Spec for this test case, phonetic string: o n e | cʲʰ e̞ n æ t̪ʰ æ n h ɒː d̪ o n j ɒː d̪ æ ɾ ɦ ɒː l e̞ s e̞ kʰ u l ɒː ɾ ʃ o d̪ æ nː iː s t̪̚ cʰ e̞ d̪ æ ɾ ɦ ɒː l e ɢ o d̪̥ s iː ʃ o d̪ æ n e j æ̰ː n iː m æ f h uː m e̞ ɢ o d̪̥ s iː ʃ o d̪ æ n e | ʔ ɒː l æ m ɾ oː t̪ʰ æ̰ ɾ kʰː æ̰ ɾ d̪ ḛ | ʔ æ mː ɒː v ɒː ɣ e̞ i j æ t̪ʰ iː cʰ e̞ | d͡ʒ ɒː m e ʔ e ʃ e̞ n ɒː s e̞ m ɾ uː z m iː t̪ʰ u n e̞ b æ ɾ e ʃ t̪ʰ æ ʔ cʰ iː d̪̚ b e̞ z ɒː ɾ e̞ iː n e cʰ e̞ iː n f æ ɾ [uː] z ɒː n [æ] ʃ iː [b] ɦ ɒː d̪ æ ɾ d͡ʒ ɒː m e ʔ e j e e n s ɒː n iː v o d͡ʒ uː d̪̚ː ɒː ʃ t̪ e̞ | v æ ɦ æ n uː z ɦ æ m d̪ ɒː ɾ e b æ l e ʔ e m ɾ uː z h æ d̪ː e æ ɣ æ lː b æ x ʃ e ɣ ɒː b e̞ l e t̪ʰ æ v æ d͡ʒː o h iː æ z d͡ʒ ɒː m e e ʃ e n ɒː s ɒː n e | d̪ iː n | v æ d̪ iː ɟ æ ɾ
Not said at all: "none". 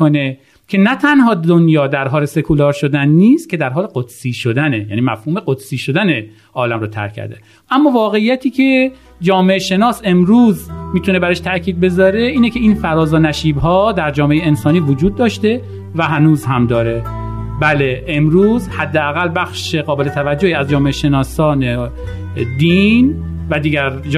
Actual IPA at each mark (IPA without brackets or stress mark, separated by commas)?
ɒː, æ, b